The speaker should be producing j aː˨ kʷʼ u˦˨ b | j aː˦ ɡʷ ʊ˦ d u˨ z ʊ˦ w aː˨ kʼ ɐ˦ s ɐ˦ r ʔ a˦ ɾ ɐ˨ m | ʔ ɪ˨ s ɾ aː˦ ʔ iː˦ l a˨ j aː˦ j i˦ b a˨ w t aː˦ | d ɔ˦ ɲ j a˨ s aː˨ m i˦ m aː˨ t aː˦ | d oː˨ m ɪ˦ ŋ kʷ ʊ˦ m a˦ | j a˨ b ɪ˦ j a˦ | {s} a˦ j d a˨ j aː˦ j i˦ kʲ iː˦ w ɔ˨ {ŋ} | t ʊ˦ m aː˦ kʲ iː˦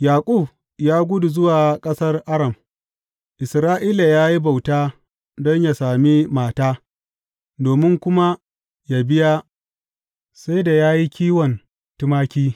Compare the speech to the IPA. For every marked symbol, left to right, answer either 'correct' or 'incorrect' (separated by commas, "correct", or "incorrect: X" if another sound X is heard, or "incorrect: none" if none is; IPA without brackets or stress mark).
correct, incorrect: n